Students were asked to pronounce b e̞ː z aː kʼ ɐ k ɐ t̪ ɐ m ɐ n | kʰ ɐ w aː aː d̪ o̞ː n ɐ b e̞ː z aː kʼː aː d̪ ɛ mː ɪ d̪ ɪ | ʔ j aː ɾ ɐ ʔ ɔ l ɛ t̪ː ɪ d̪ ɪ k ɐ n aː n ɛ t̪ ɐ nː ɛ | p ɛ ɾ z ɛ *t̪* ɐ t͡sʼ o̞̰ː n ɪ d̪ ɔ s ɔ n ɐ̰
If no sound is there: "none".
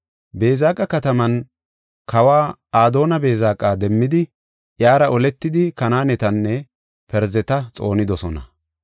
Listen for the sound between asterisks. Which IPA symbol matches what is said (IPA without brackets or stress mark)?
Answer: t̪